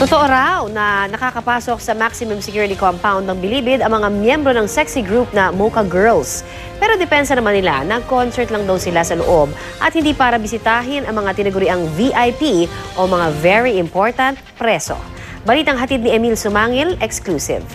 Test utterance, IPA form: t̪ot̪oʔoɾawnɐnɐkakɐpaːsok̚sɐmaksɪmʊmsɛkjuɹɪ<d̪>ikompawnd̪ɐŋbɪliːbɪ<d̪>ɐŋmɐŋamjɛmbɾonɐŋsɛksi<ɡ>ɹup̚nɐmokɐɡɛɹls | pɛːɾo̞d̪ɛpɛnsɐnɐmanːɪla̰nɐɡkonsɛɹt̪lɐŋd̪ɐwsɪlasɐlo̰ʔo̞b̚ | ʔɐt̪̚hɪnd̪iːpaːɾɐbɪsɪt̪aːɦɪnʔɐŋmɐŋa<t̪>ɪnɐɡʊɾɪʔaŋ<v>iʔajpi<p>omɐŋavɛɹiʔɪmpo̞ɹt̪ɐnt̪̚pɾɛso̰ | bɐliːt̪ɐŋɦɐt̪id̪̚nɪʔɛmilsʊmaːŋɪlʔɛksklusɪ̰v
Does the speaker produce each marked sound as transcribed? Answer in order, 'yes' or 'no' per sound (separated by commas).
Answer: no, yes, yes, yes, yes, no